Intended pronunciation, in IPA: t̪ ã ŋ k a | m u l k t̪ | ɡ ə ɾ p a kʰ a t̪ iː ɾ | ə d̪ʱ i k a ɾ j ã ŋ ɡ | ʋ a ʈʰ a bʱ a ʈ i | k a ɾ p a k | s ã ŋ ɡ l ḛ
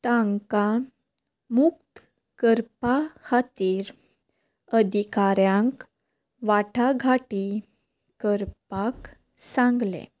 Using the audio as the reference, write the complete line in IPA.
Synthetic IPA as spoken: t̪ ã ŋ k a | m u k t̪ | k ə ɾ p a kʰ a t̪ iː ɾ | ə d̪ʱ i k a ɾ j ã ŋ k | ʋ a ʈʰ a ɡʱ a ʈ i | k ə ɾ p a k | s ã ŋ ɡ l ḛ